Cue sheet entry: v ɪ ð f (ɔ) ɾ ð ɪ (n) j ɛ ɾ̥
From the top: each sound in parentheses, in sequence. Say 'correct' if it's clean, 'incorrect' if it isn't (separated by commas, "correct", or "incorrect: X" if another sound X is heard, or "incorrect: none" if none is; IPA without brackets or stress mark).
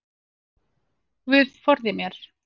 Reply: correct, incorrect: m